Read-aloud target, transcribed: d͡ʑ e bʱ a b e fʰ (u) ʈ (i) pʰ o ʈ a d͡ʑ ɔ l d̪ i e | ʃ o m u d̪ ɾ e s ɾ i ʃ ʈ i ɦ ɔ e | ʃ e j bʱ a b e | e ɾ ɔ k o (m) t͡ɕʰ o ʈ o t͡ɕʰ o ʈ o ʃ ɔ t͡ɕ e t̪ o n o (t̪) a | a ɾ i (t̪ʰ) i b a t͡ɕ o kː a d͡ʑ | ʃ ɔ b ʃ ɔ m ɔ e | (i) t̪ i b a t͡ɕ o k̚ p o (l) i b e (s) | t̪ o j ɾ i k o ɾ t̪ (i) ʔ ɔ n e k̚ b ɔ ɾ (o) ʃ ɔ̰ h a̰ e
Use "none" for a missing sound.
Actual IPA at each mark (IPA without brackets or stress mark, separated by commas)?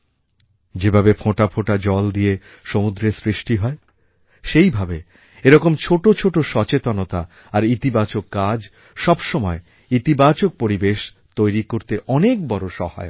o, a, m, t̪, t̪, i, ɾ, ʃ, e, o